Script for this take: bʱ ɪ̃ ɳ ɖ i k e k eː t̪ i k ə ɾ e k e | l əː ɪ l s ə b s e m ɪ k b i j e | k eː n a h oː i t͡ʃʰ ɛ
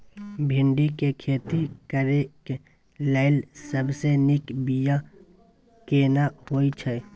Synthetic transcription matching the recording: bʱ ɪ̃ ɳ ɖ i k e kʰ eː t̪ i k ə ɾ e k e | l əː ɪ l s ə b s e n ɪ k b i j a | k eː n a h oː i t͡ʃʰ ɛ